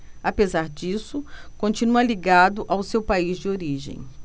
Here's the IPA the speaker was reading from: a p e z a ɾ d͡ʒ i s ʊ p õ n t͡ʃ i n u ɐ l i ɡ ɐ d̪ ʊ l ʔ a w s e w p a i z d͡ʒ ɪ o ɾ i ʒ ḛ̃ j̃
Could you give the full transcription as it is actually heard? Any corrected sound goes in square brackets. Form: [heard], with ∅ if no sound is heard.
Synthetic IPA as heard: a p e z a ɾ d͡ʒ i s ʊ [k] õ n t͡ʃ i n u ɐ l i ɡ [a] d̪ ʊ [∅] ʔ a w s e w p a i z d͡ʒ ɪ o ɾ i ʒ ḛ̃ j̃